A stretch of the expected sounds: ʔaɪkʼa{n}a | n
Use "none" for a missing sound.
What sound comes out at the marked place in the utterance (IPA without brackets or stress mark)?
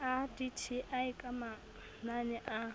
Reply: m